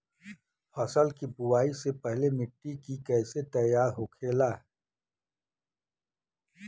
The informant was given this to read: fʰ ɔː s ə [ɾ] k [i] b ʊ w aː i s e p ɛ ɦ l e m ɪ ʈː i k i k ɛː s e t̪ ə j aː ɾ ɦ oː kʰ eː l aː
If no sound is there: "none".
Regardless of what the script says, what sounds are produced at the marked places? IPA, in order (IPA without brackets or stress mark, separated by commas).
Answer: l, i